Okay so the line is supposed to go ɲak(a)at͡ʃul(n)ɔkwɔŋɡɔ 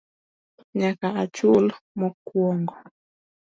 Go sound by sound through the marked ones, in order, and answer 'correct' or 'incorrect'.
correct, incorrect: m

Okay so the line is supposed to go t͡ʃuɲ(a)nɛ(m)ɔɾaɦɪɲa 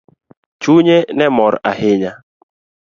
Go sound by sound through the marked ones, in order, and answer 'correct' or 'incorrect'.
incorrect: e, correct

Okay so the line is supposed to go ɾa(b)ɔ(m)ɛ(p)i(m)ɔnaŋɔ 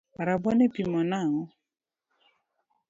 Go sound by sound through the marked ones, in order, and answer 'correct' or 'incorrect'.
correct, incorrect: n, correct, correct

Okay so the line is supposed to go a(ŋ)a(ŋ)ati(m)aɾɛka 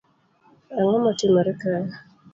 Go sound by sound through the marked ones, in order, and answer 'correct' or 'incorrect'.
correct, incorrect: m, correct

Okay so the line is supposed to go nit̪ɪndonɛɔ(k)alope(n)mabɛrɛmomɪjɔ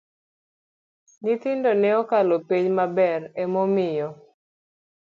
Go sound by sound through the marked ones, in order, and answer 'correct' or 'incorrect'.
correct, incorrect: ɲ

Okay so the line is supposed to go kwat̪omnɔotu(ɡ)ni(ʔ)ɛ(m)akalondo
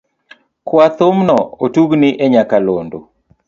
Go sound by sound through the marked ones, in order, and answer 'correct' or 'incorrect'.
correct, correct, incorrect: ɲ

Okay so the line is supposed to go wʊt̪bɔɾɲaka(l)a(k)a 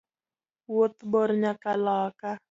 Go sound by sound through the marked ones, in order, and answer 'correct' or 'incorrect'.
correct, correct

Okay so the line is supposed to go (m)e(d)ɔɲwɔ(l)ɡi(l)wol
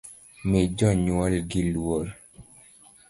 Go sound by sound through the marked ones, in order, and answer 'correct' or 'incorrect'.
correct, incorrect: d͡ʒ, correct, correct

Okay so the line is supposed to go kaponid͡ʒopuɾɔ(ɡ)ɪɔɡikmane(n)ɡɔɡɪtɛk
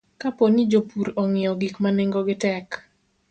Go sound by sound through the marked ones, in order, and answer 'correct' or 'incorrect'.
incorrect: ŋ, incorrect: ŋ

